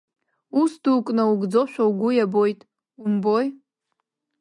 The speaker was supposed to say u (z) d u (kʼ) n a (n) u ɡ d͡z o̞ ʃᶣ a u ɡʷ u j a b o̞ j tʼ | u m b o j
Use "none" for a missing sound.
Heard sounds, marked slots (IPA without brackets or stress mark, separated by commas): s, kʼ, none